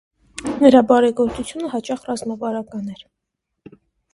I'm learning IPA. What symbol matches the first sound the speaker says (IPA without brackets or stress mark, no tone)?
n